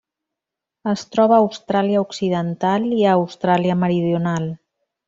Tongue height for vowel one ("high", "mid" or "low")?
mid